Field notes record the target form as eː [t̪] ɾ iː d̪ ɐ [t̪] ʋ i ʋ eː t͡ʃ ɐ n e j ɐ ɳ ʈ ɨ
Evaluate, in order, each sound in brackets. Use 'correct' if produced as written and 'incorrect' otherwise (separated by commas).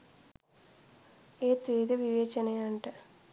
correct, incorrect